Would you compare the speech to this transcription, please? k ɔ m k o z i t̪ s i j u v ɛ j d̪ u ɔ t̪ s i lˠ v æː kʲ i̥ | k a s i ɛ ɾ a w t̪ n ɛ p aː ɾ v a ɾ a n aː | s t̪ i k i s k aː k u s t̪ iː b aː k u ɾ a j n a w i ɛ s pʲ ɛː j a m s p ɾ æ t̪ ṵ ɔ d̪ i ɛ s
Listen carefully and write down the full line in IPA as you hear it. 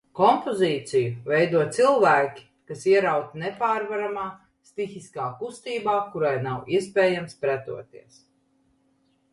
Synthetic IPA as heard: k ɔ m p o z iː t̪ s i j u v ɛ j d̪ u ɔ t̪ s i lˠ v æː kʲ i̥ | k a s i ɛ ɾ a w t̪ n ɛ p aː ɾ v a ɾ a m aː | s t̪ i x i s k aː k u s t̪ iː b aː k u ɾ a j n a w i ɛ s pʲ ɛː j a m s p ɾ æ t̪ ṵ ɔ t̪ i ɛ s

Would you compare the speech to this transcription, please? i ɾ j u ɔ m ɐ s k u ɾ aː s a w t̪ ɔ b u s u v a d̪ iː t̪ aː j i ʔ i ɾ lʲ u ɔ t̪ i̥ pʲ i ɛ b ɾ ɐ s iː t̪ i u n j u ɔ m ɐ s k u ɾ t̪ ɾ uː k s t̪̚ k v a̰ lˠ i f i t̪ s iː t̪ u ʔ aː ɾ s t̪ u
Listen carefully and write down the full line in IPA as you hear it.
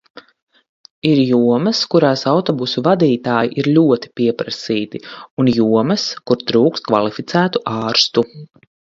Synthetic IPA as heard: i ɾ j u ɔ m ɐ s k u ɾ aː s a w t̪ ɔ b u s u v a d̪ iː t̪ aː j i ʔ i ɾ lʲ u ɔ t̪ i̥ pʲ i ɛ p ɾ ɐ s iː t̪ i u n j u ɔ m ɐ s k u ɾ t̪ ɾ uː k s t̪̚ k v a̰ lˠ i f i t̪ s æː t̪ u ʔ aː ɾ s t̪ u

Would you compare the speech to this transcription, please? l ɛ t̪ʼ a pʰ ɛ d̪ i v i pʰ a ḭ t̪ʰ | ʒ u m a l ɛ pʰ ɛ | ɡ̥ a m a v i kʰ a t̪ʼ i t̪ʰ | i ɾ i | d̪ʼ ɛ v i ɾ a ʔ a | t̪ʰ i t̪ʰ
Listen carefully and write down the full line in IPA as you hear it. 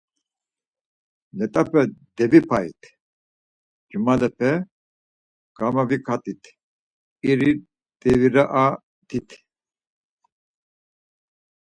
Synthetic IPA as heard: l ɛ t̪ʼ a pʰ ɛ d̪ ɛ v i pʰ a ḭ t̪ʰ | d͡ʒ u m a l ɛ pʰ ɛ | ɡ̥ a m a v i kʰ a t̪ʼ i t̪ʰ | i ɾ i | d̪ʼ ɛ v i ɾ a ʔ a | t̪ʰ i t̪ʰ

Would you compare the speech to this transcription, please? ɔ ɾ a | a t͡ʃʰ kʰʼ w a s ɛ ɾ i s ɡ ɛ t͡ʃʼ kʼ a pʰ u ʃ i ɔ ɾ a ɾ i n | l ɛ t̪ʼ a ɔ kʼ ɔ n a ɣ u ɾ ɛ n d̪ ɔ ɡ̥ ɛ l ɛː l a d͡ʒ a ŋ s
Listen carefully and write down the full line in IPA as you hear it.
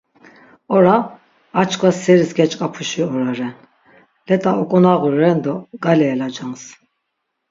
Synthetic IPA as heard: ɔ ɾ a | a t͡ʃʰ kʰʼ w a s ɛ ɾ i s ɡ ɛ t͡ʃʼ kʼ a pʰ u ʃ i ɔ ɾ a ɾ ɛ n | l ɛ t̪ʼ a ɔ kʼ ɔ n a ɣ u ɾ ɛ n d̪ ɔ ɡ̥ a l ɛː l a d͡ʒ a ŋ s

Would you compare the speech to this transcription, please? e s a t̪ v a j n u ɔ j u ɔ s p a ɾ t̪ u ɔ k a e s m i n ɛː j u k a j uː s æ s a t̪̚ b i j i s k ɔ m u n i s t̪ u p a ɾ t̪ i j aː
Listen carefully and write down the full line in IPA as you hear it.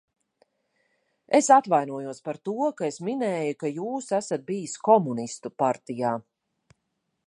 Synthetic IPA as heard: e s a t̪ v a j n u ɔ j u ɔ s p a ɾ t̪ u ɔ k a e s m i n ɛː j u k a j uː s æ s a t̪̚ b i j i s k ɔ m u n i s t̪ u p a ɾ t̪ i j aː

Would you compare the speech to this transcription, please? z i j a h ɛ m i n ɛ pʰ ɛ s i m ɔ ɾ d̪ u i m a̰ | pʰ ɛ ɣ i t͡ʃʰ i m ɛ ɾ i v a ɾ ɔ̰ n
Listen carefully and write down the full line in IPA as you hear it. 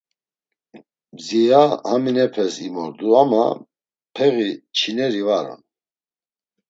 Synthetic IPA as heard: z i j a h a m i n ɛ pʰ ɛ s i m ɔ ɾ d̪ u a m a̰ | pʰ ɛ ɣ i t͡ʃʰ i n ɛ ɾ i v a ɾ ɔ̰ n

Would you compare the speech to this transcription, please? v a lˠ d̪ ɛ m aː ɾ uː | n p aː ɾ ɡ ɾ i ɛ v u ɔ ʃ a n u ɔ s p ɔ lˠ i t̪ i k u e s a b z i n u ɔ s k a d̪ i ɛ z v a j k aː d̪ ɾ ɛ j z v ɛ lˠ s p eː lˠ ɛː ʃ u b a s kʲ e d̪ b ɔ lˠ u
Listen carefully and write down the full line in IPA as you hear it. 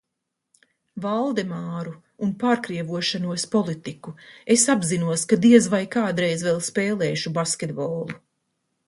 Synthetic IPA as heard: v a lˠ d̪ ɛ m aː ɾ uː | n p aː ɾ k ɾ i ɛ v u ɔ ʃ a n u ɔ s p ɔ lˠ i t̪ i k u e s a b z i n u ɔ s k a d̪ i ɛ z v a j k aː d̪ ɾ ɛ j z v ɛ lˠ s p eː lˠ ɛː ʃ u b a s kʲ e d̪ b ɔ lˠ u

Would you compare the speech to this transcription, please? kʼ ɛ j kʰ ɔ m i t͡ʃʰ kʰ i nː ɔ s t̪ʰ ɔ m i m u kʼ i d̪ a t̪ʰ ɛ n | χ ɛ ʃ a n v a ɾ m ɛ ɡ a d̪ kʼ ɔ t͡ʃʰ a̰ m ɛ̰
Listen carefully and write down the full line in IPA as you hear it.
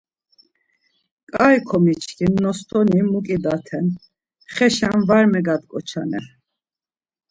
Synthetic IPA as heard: kʼ a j kʰ ɔ m i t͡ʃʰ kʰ i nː ɔ s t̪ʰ ɔ n i m u kʼ i d̪ a t̪ʰ ɛ n | χ ɛ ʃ a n v a ɾ m ɛ ɡ a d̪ kʼ ɔ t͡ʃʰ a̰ n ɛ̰

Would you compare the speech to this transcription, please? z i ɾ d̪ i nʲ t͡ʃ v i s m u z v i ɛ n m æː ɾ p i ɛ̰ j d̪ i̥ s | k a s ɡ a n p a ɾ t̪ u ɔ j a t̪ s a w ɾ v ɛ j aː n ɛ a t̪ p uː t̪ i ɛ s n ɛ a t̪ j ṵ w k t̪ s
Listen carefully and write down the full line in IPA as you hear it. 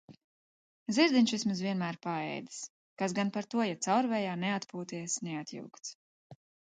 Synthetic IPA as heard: z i ɾ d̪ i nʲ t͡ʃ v i s m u z v i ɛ n m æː ɾ p a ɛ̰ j d̪ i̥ s | k a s ɡ a n p a ɾ t̪ u ɔ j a t̪ s a w ɾ v ɛ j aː n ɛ a t̪ p uː t̪ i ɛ s n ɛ a t̪ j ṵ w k t̪ s

